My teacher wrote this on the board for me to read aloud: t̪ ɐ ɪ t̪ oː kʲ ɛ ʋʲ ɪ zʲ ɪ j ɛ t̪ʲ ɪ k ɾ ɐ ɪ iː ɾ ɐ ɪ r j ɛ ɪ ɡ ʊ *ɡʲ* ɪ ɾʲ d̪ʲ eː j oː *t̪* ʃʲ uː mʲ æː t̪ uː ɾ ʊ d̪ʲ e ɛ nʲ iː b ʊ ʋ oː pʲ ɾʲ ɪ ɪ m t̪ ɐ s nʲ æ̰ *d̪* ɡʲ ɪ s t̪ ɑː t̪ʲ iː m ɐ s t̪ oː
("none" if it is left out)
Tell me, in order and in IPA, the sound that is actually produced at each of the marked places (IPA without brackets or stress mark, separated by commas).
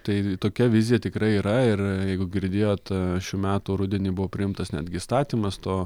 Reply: ɡʲ, t̪, d̪